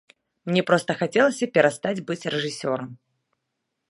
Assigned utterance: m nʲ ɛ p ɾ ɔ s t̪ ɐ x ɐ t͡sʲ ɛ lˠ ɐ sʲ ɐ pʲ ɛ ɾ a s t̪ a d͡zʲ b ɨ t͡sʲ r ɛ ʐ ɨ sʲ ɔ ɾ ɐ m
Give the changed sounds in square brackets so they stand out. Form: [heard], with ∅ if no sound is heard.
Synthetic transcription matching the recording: m nʲ ɛ p ɾ ɔ s t̪ ɐ x [a] t͡sʲ ɛ lˠ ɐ sʲ ɐ pʲ ɛ ɾ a s t̪ a d͡zʲ b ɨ t͡sʲ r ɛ ʐ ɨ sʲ ɔ ɾ ɐ m